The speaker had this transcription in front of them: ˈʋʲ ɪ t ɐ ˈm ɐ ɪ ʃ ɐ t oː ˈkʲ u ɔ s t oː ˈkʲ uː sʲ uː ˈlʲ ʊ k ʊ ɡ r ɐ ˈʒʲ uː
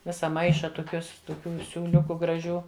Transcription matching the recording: ˈʋʲ ɪ s ɐ ˈm ɐ ɪ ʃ ɐ t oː ˈkʲ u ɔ s t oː ˈkʲ uː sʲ uː ˈlʲ ʊ k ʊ ɡ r ɐ ˈʒʲ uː